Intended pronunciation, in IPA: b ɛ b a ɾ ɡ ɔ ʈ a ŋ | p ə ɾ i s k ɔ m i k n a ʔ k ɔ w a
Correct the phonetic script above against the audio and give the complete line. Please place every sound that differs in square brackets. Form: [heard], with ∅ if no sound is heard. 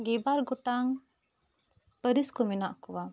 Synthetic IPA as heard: [ɡ] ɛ b a ɾ ɡ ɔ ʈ a ŋ | p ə ɾ i s k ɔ m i [∅] n a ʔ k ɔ w a